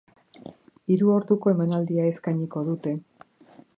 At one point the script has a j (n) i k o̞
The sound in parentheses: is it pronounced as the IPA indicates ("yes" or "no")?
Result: no